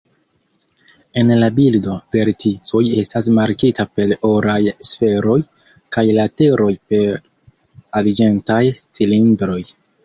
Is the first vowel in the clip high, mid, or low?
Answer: mid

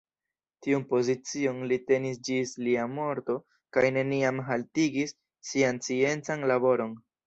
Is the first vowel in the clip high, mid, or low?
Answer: high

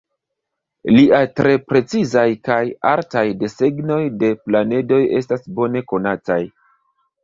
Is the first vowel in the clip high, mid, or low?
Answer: high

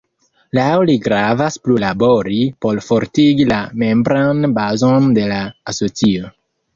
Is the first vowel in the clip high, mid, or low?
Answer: low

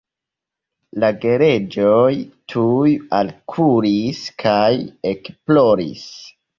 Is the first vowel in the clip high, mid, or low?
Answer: low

